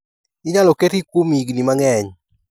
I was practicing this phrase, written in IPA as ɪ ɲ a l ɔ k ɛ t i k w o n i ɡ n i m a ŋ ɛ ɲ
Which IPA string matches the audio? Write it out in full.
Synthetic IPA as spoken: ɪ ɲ a l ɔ k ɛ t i k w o m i ɡ n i m a ŋ ɛ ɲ